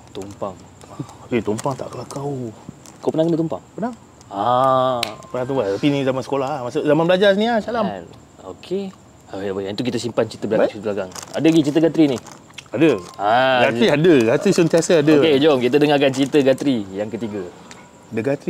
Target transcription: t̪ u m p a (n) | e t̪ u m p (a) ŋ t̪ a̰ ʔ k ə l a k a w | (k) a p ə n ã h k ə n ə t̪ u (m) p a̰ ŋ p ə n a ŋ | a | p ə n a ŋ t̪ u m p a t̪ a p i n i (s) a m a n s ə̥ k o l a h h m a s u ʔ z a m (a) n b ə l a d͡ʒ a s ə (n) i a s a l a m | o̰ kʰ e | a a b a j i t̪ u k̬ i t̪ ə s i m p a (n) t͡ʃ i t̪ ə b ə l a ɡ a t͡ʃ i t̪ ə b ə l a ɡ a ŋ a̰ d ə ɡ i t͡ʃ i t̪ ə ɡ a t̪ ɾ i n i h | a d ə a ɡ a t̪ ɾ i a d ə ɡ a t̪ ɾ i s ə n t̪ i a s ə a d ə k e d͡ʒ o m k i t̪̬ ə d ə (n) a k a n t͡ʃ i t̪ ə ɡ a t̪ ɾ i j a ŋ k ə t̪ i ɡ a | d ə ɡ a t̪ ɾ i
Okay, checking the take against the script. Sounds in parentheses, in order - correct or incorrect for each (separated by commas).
incorrect, correct, correct, correct, incorrect, correct, correct, correct, incorrect